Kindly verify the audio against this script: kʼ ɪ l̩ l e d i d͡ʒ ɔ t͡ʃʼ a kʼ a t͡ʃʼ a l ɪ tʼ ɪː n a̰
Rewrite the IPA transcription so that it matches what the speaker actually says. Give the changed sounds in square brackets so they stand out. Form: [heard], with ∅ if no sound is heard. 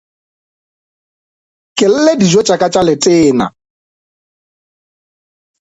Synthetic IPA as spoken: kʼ ɪ l̩ l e d i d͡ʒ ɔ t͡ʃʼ a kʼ a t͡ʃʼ a l ɪ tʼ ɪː n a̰